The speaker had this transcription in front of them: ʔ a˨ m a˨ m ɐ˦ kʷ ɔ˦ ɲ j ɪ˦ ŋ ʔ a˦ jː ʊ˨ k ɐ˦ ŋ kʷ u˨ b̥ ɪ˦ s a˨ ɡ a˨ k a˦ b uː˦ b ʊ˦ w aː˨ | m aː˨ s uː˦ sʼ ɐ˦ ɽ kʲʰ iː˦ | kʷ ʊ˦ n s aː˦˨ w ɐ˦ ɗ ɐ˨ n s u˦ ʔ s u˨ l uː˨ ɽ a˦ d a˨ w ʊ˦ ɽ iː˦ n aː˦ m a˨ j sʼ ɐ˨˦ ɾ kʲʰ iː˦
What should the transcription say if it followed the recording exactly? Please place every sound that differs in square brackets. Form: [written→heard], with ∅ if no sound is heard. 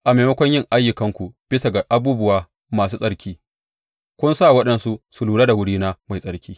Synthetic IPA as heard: ʔ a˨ m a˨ m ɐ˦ kʷ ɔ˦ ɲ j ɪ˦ ŋ ʔ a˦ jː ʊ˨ k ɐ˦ ŋ kʷ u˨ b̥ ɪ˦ s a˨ ɡ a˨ [k→ʔ] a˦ b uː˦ b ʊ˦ w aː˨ | m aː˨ s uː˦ sʼ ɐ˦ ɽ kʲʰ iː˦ | kʷ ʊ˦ n s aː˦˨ w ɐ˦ ɗ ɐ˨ n s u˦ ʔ s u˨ l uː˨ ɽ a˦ d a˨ w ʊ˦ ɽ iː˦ n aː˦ m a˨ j sʼ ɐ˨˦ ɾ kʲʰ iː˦